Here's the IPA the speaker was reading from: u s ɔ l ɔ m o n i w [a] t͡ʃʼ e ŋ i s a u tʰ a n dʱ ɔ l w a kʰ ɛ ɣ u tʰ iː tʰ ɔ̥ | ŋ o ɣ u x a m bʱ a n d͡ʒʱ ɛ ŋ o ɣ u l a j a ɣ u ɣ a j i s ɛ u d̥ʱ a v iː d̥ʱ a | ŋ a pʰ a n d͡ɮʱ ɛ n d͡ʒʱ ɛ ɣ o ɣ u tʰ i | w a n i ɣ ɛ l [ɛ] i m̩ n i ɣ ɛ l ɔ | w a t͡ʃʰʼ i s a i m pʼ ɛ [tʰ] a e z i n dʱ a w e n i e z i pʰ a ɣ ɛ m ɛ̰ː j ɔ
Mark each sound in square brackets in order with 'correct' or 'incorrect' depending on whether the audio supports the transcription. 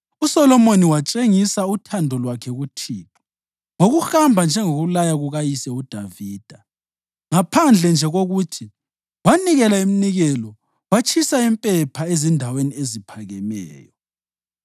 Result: correct, incorrect: a, incorrect: pʰ

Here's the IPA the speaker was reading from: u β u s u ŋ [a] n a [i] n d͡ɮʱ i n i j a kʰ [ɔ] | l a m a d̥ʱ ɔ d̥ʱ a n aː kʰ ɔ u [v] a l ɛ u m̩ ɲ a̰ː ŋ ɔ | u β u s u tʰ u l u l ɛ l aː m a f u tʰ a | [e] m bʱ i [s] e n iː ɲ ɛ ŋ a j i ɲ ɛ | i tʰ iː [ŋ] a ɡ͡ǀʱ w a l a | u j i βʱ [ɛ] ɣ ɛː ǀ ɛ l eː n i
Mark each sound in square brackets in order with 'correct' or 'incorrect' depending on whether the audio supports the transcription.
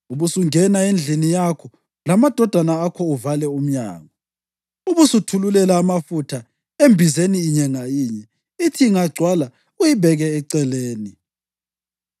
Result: incorrect: ɛ, incorrect: e, correct, correct, correct, incorrect: z, correct, correct

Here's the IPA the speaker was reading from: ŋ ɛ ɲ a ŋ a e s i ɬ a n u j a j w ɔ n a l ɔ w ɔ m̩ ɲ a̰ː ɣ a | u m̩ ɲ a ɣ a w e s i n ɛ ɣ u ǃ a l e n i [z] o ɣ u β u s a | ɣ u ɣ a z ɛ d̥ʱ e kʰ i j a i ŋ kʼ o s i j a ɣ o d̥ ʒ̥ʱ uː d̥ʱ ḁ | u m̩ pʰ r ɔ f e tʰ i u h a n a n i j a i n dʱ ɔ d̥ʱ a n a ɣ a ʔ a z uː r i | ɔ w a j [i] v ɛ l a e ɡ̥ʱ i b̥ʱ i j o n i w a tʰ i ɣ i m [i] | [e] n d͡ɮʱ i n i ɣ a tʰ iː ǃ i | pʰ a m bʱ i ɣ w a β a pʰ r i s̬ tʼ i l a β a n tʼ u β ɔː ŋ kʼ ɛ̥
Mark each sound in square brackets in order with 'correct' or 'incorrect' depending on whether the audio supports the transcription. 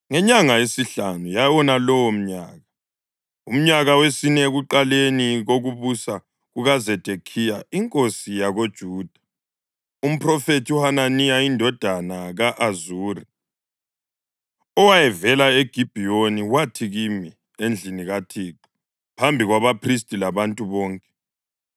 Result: incorrect: ɣ, incorrect: ɛ, correct, correct

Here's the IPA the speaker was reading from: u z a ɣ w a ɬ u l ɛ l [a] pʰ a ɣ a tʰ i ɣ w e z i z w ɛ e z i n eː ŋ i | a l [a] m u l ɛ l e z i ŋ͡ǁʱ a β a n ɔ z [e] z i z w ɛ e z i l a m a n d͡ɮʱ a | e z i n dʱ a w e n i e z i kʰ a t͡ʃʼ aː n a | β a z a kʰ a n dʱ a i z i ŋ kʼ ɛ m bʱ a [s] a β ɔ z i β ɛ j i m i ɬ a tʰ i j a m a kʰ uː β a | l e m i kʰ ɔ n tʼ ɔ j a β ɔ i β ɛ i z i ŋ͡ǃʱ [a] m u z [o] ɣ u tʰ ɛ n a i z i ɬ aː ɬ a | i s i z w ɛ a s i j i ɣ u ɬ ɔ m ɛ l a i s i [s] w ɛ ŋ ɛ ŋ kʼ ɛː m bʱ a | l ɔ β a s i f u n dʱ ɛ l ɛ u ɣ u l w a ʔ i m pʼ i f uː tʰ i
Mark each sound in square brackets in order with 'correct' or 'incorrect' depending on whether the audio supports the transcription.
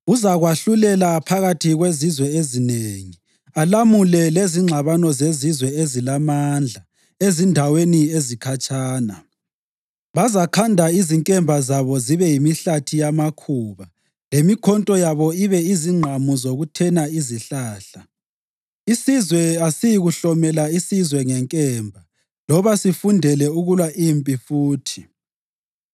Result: correct, correct, correct, incorrect: z, correct, correct, incorrect: z

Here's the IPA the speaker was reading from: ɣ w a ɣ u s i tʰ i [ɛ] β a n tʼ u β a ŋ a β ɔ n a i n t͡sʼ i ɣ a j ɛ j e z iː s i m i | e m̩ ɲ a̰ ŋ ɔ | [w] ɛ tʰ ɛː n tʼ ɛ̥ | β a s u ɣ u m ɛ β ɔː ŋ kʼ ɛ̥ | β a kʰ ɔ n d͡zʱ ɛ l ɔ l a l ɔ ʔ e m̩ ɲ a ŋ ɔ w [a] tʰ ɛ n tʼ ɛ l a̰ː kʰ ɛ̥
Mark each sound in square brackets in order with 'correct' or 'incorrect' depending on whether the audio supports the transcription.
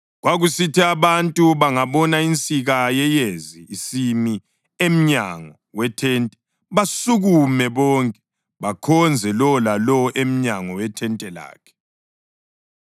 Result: incorrect: a, correct, incorrect: ɛ

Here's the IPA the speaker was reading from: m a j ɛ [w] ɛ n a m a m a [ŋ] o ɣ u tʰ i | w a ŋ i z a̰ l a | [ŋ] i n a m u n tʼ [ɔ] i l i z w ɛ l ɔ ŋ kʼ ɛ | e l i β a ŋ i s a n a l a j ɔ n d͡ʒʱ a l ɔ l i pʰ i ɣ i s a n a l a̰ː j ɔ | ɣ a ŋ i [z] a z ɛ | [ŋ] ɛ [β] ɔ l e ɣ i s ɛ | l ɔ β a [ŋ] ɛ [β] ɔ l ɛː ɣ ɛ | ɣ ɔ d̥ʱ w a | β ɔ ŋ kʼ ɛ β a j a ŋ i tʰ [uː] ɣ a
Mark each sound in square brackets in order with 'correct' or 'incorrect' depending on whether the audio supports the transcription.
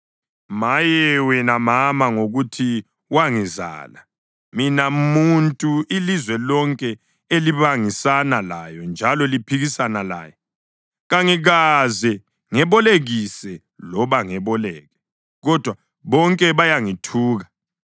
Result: correct, correct, incorrect: m, incorrect: u, incorrect: ɣ, correct, correct, correct, correct, correct

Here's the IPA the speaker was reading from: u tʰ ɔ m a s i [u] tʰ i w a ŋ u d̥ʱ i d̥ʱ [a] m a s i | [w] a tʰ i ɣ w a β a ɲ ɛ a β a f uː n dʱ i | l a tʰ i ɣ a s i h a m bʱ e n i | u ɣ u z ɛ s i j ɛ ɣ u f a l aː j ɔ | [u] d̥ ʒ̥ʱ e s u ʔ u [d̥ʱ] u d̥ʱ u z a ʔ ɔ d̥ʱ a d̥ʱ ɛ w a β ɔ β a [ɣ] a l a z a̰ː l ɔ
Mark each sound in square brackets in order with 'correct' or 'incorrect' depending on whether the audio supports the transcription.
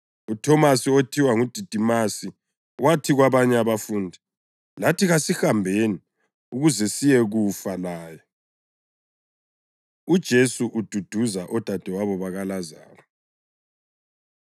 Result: incorrect: o, incorrect: i, correct, correct, correct, correct

